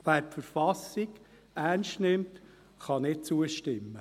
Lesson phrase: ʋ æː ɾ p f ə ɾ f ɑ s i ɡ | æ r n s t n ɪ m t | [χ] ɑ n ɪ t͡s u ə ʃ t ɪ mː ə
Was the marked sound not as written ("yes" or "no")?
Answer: no